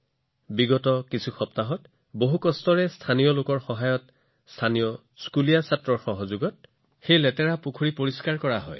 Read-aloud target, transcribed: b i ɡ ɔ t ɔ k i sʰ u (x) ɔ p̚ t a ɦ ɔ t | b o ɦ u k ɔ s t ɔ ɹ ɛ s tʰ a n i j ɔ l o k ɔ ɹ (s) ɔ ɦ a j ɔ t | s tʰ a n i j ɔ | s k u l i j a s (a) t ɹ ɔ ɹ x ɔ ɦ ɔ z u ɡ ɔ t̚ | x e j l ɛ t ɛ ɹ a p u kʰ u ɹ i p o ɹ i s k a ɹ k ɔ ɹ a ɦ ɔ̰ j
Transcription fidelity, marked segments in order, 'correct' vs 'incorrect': correct, incorrect: x, correct

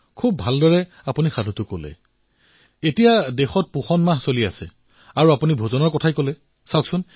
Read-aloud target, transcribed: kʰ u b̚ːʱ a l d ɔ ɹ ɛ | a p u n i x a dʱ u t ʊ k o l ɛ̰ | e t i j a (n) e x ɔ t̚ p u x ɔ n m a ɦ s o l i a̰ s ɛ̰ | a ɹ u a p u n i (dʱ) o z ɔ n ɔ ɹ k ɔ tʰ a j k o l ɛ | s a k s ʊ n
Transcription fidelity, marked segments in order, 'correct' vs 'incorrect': incorrect: d, incorrect: bʱ

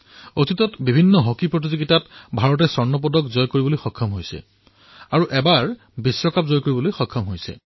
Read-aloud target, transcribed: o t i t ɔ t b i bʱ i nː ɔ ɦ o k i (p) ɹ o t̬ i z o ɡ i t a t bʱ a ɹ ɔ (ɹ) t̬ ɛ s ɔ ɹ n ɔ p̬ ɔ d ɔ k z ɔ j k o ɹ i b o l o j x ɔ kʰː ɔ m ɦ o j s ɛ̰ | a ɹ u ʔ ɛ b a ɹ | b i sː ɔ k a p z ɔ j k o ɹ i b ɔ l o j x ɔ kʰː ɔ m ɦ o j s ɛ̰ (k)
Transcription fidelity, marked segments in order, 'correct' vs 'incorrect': correct, incorrect: none, incorrect: none

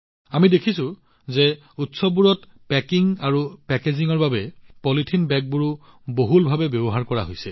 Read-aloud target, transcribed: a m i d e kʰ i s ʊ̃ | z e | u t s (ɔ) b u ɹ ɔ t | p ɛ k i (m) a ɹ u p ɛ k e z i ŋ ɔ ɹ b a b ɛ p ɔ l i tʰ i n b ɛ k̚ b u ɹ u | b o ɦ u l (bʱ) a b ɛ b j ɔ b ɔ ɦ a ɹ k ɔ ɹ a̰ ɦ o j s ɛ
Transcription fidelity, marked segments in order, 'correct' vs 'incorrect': correct, incorrect: ŋ, correct

